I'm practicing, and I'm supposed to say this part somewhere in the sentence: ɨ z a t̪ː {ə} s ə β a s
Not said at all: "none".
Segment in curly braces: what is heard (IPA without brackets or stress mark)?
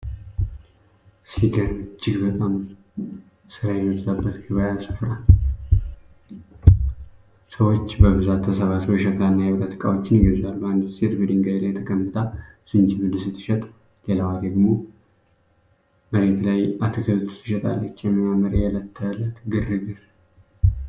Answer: ə